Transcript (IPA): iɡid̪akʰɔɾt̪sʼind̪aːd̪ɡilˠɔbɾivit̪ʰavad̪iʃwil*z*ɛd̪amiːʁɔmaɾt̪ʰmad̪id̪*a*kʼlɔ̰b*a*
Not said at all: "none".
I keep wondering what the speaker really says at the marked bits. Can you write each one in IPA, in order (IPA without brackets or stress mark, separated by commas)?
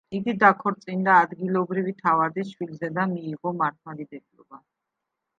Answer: z, ɛ, a